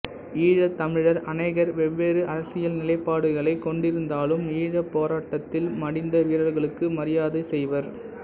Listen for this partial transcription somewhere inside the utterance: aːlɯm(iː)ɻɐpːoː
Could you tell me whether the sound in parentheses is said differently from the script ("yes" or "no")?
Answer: no